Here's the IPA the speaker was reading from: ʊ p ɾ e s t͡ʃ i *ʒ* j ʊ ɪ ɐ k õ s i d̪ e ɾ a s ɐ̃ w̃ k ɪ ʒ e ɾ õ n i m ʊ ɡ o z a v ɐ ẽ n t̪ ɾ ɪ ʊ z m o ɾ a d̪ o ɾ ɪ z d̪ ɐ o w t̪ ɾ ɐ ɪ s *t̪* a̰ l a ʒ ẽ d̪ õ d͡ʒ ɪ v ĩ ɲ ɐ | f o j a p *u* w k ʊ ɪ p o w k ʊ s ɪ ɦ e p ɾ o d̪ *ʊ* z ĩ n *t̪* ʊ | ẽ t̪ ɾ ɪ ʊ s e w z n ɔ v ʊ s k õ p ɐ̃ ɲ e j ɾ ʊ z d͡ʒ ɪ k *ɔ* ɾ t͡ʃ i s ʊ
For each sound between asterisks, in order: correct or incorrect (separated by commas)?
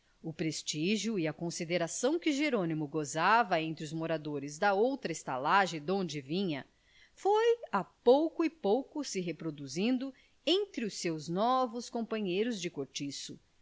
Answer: correct, correct, incorrect, incorrect, incorrect, incorrect